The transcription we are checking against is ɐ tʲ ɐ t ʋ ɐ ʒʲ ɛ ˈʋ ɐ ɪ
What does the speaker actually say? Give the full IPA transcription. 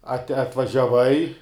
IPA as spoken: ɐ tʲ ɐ t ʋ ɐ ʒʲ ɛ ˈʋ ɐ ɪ